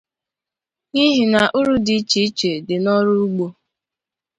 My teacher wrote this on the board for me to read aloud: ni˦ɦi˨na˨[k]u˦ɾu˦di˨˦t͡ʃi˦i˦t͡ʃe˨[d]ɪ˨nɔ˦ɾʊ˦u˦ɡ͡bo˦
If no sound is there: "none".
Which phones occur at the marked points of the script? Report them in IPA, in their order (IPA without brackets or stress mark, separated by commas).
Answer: ʔ, d